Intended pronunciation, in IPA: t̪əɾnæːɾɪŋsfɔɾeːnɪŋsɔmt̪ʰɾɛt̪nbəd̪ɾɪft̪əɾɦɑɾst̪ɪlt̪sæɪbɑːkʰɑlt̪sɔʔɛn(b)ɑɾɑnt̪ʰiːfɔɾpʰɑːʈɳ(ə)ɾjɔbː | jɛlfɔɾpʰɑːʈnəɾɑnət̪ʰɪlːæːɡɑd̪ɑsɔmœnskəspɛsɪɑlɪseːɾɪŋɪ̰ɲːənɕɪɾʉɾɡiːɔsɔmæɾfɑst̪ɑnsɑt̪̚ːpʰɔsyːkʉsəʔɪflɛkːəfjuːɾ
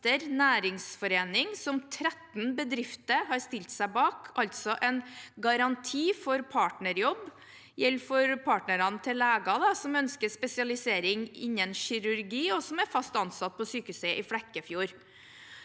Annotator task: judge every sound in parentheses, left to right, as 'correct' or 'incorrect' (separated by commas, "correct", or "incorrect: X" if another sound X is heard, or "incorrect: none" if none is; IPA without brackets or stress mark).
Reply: incorrect: ɡ, correct